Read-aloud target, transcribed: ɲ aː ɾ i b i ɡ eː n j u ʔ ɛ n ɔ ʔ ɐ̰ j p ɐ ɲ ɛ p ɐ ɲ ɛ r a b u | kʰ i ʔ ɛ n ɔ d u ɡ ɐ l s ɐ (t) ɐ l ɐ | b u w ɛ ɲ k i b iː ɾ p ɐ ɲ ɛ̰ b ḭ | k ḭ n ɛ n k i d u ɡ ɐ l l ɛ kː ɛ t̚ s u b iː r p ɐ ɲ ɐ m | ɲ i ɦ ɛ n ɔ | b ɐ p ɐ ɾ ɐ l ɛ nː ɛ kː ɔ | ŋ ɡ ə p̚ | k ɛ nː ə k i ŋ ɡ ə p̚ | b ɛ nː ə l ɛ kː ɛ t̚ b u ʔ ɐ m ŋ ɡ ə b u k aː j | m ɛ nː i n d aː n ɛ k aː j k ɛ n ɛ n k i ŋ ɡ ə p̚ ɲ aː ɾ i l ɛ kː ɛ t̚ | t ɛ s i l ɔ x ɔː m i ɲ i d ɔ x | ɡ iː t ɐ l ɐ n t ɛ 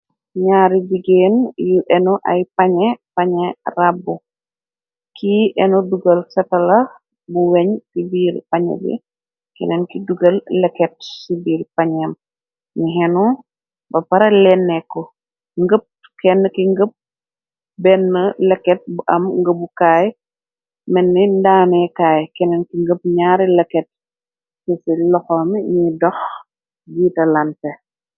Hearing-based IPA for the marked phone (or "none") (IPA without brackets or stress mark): t